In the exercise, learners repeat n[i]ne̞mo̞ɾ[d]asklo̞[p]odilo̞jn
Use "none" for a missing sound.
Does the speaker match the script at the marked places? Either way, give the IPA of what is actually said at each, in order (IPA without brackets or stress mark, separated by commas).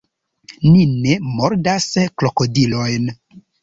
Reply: i, d, k